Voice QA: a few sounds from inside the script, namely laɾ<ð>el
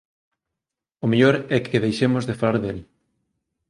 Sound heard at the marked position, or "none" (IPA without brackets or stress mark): ð